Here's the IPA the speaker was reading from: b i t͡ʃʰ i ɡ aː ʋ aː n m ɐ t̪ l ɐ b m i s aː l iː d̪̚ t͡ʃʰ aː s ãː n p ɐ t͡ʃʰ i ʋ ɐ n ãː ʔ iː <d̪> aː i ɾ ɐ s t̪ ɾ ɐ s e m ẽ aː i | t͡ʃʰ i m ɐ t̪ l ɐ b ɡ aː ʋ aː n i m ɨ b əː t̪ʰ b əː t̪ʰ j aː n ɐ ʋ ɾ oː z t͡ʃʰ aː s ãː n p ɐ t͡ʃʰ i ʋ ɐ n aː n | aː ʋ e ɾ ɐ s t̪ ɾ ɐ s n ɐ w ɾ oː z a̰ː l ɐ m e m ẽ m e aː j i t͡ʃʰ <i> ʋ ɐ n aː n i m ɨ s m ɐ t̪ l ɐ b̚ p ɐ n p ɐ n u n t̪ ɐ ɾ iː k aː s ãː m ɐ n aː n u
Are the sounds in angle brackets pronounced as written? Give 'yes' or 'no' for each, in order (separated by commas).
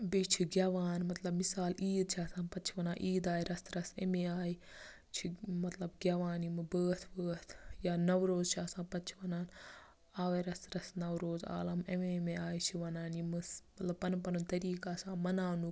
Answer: yes, yes